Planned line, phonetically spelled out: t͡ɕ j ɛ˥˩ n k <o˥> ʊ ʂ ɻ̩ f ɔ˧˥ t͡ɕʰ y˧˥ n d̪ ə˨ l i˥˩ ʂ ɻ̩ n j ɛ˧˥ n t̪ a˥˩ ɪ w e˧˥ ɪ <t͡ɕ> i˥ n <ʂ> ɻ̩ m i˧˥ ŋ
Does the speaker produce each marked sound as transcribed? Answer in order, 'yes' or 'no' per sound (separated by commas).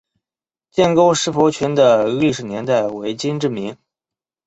yes, yes, no